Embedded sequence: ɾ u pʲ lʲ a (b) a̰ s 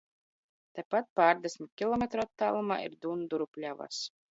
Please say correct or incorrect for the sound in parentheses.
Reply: incorrect